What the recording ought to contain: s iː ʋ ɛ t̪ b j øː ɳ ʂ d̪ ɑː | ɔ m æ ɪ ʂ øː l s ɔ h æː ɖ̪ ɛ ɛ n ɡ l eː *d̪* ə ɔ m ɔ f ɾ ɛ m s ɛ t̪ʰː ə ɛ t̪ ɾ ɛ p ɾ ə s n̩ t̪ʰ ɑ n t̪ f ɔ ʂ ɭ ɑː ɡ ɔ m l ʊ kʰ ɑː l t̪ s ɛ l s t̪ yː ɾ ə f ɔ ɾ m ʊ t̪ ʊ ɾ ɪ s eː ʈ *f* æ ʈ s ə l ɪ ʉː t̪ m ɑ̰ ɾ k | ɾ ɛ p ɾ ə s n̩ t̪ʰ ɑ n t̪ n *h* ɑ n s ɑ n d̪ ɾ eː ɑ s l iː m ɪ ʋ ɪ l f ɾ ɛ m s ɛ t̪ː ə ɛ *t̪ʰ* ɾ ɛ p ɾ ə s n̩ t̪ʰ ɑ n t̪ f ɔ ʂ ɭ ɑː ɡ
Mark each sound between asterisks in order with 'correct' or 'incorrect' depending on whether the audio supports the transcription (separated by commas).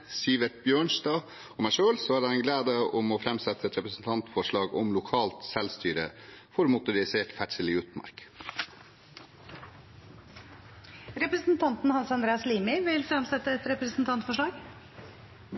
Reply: correct, correct, correct, incorrect